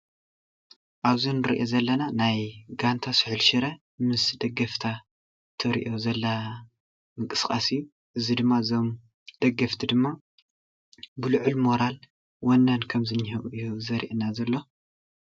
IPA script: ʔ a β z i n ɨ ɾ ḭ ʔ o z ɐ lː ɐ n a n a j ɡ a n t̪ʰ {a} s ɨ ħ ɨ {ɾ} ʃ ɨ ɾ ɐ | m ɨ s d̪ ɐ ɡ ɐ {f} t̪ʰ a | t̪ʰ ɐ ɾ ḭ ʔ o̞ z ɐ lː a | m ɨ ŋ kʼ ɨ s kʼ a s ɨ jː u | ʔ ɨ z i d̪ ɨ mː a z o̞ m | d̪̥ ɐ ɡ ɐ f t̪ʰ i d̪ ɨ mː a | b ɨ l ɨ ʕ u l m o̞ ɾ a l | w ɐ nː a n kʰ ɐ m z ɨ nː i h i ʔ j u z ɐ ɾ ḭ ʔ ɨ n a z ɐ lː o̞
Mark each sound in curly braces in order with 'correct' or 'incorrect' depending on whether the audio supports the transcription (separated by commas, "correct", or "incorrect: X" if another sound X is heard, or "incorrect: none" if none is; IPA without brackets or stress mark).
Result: correct, incorrect: l, correct